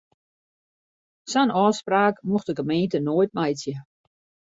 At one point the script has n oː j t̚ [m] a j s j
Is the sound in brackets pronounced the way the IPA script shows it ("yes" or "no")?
yes